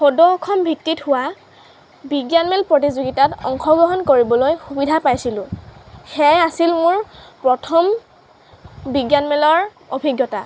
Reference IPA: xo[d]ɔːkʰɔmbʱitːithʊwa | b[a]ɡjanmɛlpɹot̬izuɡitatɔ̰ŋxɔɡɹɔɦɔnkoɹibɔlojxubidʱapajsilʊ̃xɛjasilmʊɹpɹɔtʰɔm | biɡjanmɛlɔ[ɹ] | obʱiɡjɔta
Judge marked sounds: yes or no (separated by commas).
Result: yes, no, yes